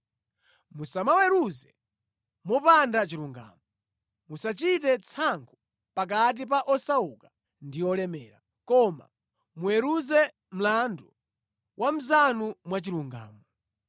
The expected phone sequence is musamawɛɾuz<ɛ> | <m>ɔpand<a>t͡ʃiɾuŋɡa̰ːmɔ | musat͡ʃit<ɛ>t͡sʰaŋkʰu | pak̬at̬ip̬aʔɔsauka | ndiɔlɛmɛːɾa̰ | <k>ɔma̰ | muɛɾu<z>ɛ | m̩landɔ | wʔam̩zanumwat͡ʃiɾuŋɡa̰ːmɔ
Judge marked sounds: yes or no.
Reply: yes, yes, yes, yes, yes, yes

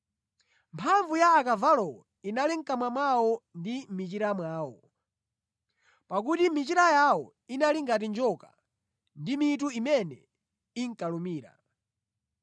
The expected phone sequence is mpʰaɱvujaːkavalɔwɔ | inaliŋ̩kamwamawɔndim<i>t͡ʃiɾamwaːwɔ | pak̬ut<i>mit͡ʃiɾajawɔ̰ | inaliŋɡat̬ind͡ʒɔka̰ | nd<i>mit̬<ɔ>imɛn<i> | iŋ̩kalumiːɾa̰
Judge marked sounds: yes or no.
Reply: yes, yes, yes, no, no

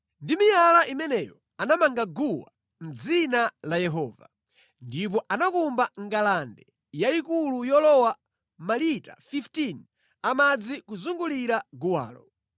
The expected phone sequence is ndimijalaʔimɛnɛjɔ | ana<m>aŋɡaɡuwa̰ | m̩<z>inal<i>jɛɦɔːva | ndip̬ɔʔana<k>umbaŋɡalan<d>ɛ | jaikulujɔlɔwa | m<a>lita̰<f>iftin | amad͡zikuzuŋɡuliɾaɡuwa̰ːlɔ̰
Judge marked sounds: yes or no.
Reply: yes, no, no, yes, yes, yes, yes

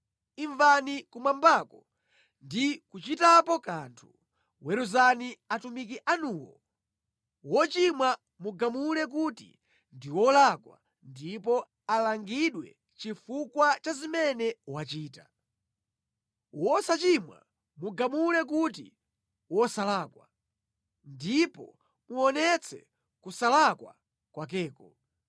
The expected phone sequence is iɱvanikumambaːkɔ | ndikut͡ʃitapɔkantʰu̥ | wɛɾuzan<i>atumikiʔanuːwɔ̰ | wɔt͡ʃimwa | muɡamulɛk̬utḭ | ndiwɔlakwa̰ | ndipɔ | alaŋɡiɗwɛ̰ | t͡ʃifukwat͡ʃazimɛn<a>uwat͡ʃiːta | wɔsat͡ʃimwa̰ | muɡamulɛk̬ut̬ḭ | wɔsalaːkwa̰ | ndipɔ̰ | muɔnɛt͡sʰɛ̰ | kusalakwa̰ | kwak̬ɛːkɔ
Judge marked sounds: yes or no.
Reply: yes, no

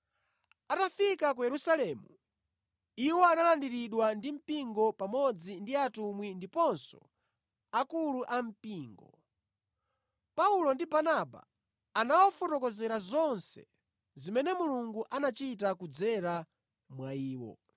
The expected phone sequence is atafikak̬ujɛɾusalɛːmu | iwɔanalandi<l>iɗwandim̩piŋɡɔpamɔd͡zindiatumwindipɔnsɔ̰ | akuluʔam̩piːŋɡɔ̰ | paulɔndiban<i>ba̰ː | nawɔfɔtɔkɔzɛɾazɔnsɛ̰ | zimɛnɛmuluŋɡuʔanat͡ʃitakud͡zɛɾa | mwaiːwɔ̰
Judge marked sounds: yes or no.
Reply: no, no

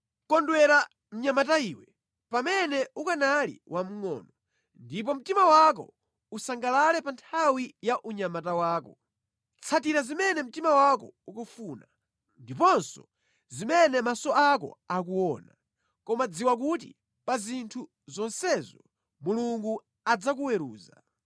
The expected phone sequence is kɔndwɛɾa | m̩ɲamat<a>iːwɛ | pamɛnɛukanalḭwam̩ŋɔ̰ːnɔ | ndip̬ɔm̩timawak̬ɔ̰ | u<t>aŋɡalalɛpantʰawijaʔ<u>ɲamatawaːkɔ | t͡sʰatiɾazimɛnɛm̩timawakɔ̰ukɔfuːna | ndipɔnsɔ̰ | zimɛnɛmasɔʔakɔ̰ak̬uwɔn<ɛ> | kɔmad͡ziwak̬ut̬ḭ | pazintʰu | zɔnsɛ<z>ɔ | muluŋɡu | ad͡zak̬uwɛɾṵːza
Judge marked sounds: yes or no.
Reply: yes, no, yes, no, yes

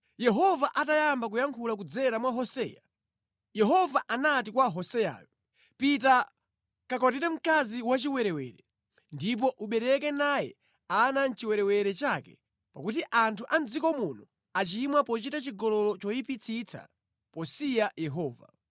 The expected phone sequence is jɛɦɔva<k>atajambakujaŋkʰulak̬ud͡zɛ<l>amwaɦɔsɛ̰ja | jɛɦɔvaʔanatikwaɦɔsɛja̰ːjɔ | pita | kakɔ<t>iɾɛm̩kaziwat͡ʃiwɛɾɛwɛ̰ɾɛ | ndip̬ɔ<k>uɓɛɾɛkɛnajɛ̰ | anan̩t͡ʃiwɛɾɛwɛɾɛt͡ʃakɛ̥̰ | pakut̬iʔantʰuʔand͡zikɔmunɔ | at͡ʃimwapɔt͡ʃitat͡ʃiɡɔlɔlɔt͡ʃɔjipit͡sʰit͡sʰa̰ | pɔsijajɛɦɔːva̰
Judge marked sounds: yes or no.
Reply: no, no, yes, no

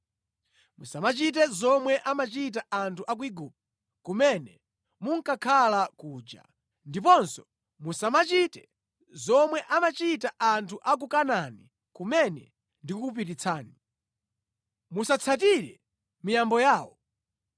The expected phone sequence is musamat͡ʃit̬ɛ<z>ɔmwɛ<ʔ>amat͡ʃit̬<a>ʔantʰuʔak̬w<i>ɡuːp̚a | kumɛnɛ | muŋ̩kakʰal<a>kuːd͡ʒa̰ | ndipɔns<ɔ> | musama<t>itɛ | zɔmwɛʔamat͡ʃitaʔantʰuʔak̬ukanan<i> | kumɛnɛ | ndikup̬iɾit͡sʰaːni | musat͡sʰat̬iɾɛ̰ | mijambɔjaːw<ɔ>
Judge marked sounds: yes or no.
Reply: yes, yes, yes, yes, yes, yes, no, yes, yes

